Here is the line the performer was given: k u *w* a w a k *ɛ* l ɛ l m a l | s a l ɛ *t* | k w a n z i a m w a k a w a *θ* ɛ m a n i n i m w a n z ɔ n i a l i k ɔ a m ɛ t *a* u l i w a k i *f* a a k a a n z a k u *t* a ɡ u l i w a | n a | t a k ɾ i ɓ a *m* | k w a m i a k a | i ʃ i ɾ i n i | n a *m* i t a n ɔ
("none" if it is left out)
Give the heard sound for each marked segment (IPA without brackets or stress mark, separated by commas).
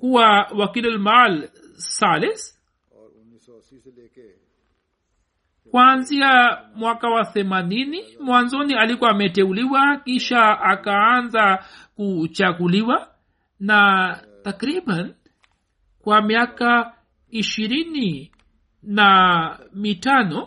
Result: w, i, s, θ, ɛ, ʃ, t͡ʃ, n, m